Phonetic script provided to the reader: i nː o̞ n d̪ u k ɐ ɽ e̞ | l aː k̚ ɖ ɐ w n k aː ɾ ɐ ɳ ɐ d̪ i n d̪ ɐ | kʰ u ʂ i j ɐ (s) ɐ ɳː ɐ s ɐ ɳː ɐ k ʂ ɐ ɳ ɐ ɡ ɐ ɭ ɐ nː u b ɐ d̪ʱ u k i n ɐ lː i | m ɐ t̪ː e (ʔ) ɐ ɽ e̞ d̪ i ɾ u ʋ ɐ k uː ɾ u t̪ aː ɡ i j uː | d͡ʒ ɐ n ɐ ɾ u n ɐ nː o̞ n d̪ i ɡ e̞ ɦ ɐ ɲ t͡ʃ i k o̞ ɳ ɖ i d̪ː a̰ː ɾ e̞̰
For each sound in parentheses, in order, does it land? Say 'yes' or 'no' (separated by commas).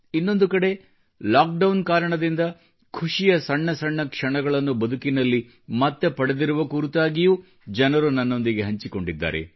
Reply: yes, no